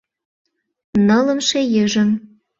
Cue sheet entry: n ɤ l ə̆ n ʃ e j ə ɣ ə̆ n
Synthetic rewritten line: n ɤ l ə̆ m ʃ e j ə ʒ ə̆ m